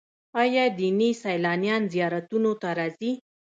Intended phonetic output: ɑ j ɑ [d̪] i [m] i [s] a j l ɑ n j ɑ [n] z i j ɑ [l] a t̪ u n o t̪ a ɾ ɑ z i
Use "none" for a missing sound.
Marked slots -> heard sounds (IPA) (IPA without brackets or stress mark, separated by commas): d̪, n, s, n, ɾ